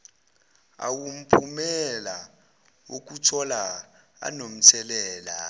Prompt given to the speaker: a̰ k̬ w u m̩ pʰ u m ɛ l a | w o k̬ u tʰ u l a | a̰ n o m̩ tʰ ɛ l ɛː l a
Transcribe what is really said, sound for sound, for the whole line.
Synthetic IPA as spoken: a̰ w u m̩ pʰ u m ɛ l a | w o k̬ u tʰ ɔ l a | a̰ n o m̩ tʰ ɛ l ɛː l a